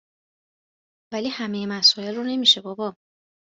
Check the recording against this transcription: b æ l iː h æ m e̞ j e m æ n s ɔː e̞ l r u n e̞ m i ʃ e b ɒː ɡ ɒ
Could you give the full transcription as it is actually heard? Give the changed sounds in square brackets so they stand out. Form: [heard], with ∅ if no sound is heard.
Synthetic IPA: [v] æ l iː h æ m e̞ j e m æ [∅] s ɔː e̞ l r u n e̞ m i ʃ e b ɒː [b] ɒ